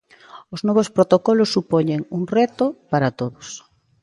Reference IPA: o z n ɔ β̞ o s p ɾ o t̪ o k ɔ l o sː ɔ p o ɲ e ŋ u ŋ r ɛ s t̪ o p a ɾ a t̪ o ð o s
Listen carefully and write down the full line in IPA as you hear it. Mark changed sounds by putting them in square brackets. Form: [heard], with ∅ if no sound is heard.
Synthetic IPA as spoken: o z n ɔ β̞ o s p ɾ o t̪ o k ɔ l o sː [u] p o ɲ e ŋ u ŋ r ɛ [∅] t̪ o p a ɾ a t̪ o ð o s